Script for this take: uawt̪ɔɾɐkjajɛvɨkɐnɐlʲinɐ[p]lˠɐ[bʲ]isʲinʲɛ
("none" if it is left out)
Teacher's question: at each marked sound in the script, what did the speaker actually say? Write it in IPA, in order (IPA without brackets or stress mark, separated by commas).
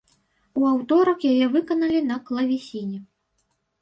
k, vʲ